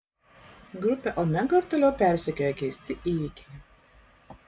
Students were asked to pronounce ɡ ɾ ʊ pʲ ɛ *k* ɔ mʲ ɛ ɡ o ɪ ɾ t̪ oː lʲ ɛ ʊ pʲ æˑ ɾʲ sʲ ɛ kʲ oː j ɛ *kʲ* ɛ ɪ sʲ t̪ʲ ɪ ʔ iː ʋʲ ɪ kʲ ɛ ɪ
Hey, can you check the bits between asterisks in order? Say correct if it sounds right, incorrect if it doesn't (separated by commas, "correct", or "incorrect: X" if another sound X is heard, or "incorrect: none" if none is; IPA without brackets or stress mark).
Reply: incorrect: ʔ, correct